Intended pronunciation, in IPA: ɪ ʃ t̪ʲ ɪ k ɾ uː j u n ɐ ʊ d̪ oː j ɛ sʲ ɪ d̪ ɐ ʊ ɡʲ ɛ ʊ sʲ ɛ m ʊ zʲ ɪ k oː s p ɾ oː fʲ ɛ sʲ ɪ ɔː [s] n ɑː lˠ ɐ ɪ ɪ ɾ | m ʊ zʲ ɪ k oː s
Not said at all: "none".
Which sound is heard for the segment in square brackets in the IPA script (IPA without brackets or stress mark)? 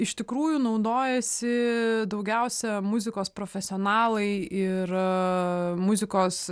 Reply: none